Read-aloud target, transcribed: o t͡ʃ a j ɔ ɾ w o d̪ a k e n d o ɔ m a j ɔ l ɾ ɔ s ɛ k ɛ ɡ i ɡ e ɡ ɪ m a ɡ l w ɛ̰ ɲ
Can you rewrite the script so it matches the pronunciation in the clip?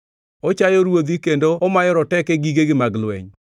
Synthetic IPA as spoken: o t͡ʃ a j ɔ ɾ w o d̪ i k e n d o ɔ m a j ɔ ɾ ɔ t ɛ k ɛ ɡ i ɡ e ɡ ɪ m a ɡ l w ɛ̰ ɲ